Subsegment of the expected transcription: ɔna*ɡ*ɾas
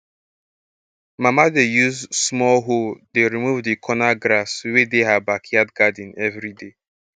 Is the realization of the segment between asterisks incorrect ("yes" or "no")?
no